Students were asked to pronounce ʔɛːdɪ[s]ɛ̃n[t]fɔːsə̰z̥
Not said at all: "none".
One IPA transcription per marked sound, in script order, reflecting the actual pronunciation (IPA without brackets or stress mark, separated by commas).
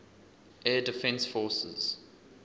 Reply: f, s